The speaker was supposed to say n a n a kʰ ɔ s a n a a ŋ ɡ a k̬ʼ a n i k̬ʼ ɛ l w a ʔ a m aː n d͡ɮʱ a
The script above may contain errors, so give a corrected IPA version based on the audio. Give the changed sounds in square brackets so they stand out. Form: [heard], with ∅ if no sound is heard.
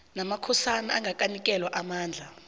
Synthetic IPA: n a [m] a kʰ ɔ s a n a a ŋ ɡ a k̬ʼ a n i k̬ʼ ɛ l w a ʔ a m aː n d͡ɮʱ a